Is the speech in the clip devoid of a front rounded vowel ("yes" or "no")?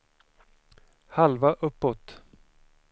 yes